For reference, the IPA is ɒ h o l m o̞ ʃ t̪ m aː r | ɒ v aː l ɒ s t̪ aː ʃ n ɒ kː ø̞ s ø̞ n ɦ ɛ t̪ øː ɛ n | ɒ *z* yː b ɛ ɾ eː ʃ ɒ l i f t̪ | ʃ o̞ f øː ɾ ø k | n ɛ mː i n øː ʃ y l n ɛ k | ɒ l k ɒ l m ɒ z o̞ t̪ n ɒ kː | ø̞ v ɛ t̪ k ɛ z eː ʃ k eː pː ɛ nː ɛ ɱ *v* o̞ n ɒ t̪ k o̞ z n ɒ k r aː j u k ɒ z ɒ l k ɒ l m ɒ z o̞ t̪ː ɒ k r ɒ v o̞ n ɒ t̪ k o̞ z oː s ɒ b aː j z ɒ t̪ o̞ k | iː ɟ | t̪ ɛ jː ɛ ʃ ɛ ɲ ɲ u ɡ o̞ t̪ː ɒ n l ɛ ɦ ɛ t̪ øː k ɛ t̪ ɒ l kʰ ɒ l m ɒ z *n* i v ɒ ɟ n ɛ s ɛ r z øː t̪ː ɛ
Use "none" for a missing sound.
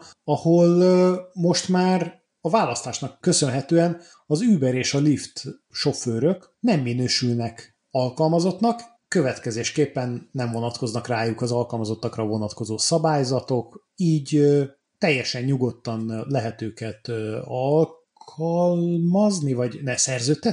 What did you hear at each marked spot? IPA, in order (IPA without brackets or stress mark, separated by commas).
z, v, n